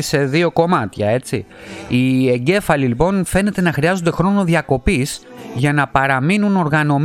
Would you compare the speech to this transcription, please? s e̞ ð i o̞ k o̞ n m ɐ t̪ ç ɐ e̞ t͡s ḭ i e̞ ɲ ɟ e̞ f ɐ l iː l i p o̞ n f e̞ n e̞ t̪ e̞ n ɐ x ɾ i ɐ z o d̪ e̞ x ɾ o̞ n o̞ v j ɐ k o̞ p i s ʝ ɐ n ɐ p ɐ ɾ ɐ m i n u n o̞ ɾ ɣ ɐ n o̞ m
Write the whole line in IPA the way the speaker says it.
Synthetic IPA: s e̞ ð i o̞ k o̞ m ɐ t̪ ç ɐ e̞ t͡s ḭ i e̞ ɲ ɟ e̞ f ɐ l i l i p o̞ n f e̞ n e̞ t̪ e̞ n ɐ x ɾ i ɐ z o d̪ e̞ x ɾ o̞ n o̞ ð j ɐ k o̞ p i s ʝ ɐ n ɐ p ɐ ɾ ɐ m i n u n o̞ ɾ ɣ ɐ n o̞ m